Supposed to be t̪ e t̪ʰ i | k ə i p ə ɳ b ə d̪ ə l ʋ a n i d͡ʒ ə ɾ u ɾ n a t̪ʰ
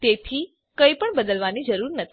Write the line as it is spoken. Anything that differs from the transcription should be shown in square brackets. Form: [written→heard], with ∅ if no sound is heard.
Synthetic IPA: t̪ e t̪ʰ i | k ə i p ə ɳ b ə d̪ ə l ʋ a n i d͡ʒ ə ɾ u ɾ n [a→ə] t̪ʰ